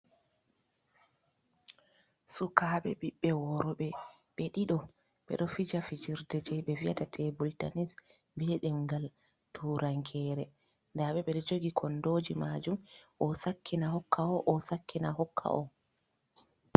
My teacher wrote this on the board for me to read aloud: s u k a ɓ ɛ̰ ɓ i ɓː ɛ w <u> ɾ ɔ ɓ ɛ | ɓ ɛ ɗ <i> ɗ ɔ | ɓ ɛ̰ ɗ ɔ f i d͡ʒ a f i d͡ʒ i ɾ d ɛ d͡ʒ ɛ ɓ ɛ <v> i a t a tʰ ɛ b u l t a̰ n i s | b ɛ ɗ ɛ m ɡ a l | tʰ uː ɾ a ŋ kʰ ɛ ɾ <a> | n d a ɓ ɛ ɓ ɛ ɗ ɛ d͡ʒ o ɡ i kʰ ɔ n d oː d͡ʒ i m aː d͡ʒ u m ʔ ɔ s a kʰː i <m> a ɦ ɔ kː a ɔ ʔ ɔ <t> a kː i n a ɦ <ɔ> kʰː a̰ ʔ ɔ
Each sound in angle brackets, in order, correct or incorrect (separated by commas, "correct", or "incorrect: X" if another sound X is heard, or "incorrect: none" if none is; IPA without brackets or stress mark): incorrect: ɔ, correct, correct, incorrect: ɛ, incorrect: n, incorrect: s, correct